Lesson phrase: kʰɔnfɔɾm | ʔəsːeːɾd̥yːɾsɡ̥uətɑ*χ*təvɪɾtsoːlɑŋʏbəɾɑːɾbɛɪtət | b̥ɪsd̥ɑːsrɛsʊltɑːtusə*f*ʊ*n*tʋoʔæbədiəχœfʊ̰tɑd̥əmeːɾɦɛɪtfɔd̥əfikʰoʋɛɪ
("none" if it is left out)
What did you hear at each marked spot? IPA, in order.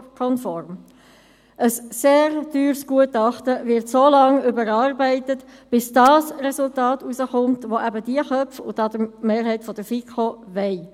χ, χ, m

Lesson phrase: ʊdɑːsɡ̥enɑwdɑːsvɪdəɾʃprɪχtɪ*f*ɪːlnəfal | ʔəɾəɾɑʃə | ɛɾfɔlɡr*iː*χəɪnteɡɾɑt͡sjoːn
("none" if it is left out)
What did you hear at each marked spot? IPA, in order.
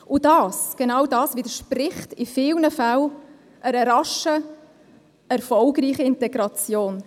f, iː

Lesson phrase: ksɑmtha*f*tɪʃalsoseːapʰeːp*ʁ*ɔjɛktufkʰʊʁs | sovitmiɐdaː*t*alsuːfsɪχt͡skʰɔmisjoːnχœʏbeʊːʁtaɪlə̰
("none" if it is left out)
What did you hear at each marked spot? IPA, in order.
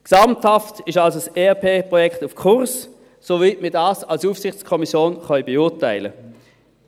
f, ʁ, s

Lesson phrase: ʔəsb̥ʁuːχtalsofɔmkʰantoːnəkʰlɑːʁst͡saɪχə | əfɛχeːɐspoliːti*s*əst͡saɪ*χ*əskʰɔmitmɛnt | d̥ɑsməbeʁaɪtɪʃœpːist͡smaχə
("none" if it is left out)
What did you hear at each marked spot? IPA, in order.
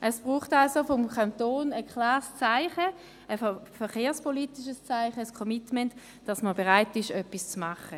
ʃ, χ

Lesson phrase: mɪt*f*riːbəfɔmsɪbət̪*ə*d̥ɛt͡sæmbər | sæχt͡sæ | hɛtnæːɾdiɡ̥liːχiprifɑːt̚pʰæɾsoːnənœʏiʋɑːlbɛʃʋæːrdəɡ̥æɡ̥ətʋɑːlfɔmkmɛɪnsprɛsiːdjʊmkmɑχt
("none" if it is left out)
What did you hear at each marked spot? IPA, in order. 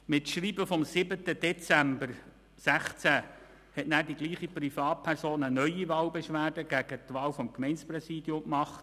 ʃ, ə

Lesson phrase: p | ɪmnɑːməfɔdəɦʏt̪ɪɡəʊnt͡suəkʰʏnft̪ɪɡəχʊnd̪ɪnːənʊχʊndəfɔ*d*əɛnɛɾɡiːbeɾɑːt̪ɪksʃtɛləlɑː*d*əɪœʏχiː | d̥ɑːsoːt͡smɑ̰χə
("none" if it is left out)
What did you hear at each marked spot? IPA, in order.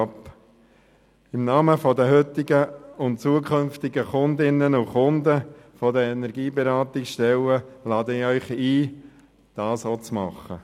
d, d

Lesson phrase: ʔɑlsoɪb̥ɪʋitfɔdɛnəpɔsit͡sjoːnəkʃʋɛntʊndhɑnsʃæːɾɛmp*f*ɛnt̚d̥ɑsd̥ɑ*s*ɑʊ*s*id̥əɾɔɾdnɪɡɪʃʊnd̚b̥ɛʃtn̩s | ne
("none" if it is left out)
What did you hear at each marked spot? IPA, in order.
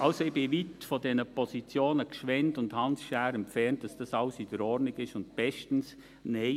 f, s, s

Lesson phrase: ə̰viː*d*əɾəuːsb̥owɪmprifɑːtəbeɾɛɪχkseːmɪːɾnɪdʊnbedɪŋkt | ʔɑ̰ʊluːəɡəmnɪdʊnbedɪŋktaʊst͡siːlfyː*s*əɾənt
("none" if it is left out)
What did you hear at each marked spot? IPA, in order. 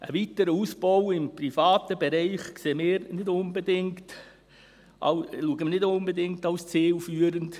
t, none

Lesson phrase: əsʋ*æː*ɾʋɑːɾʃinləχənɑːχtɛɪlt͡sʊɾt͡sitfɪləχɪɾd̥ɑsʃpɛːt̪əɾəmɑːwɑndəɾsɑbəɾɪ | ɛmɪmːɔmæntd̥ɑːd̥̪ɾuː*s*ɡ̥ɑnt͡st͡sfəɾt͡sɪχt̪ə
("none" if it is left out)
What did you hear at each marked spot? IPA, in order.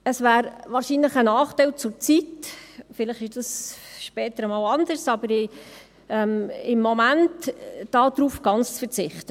æː, f

